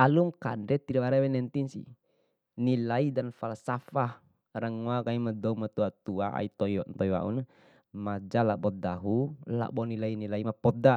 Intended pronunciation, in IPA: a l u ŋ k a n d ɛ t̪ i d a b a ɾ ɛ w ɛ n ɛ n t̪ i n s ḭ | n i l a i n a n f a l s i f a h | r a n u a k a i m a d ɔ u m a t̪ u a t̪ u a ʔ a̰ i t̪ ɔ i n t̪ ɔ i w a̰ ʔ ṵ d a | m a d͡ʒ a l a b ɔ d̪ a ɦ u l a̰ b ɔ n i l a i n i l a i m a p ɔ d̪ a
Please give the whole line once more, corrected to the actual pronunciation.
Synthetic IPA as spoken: a l u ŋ k a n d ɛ t̪ i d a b a ɾ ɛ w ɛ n ɛ n t̪ i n s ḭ | n i l a i d a n f a l s a f a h | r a ŋ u a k a i m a d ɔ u m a t̪ u a t̪ u a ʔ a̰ i t̪ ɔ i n t̪ ɔ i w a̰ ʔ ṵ n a | m a d͡ʒ a l a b ɔ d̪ a ɦ u l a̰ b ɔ n i l a i n i l a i m a p ɔ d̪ a